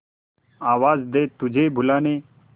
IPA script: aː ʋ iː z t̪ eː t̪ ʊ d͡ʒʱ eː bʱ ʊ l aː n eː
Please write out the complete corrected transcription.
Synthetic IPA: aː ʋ aː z d̪ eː t̪ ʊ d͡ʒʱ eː bʱ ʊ l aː n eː

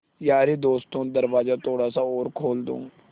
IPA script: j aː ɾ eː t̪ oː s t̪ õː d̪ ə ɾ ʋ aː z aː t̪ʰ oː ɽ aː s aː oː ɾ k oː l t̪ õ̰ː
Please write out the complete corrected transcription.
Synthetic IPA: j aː ɾ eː d̪ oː s t̪ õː d̪ ə ɾ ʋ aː z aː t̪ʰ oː ɽ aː s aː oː ɾ kʰ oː l d̪ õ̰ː

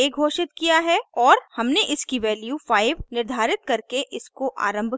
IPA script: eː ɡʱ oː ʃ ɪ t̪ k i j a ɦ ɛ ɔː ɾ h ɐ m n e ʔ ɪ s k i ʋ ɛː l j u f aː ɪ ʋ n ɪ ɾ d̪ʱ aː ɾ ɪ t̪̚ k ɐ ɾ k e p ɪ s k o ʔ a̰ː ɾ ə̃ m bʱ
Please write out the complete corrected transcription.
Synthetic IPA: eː ɡʱ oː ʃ ɪ t̪ k i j a ɦ ɛ ɔː ɾ h ɐ m n e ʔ ɪ s k i ʋ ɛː l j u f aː ɪ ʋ n ɪ ɾ d̪ʱ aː ɾ ɪ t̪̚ k ɐ ɾ k e ʔ ɪ s k o ʔ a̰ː ɾ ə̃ m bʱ

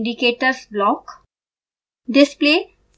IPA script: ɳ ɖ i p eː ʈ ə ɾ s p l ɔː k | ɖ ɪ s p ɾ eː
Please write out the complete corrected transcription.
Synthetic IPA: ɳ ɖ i k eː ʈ ə ɾ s b l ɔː k | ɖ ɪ s p l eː

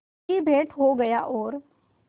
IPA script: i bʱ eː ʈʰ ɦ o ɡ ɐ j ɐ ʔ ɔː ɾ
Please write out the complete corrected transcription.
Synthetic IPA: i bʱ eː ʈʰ ɦ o ɡ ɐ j a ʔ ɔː ɾ

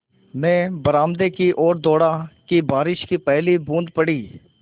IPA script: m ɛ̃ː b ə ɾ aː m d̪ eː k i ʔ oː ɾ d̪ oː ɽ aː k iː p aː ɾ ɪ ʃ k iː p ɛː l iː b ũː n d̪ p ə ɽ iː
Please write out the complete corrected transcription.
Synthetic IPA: m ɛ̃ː b ə ɾ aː m d̪ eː k i ʔ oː ɾ d̪ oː ɽ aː k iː b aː ɾ ɪ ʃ k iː p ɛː l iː b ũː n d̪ p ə ɽ iː

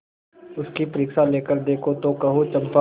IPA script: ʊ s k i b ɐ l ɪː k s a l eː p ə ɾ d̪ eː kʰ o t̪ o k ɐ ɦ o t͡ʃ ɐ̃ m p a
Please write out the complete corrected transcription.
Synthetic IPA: ʊ s k i p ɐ ɾ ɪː k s a l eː k ə ɾ d̪ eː kʰ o t̪ o k ɐ ɦ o t͡ʃ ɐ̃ m p a

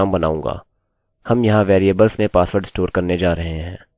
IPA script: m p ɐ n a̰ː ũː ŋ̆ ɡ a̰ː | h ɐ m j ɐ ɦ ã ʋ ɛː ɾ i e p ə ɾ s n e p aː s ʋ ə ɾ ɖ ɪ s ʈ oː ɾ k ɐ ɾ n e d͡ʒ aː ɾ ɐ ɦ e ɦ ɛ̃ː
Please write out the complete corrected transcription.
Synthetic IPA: m b ɐ n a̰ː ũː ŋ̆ ɡ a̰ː | h ɐ m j ɐ ɦ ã ʋ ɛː ɾ i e b ə l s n e p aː s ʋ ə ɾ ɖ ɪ s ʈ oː ɾ k ɐ ɾ n e d͡ʒ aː ɾ ɐ ɦ e ɦ ɛ̃ː

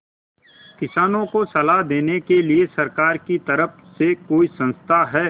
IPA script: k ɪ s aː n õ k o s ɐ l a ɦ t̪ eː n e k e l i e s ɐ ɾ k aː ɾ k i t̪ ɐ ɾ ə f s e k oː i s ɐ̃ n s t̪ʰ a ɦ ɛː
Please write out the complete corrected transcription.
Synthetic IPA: k ɪ s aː n õ k o s ɐ l a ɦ d̪ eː n e k e l i e s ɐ ɾ k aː ɾ k i t̪ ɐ ɾ ə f s e k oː i s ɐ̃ n s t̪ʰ a ɦ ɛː

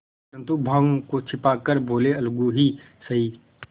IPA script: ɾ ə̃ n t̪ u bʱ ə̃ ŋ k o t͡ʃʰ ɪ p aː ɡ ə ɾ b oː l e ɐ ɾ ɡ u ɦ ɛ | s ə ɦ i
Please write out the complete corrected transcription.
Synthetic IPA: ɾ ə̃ n t̪ u bʱ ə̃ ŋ k o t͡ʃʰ ɪ p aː k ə ɾ b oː l e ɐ l ɡ u ɦ i | s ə ɦ i

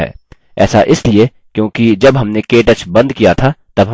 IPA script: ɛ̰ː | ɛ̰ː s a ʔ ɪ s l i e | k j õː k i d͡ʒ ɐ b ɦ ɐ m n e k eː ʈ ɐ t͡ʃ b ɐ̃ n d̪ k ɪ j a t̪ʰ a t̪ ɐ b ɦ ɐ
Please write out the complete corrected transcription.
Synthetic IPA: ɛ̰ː | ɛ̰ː s a ʔ ɪ s l i e | k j õː k i d͡ʒ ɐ b ɦ ɐ m n e k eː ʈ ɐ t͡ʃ b ɐ̃ n d̪ k i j a t̪ʰ a t̪ ɐ b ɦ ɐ

